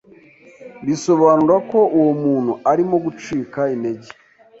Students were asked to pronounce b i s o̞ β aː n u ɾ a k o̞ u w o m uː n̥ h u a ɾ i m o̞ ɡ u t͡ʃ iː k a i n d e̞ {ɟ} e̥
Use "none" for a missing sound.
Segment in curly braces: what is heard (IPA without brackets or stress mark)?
ɟ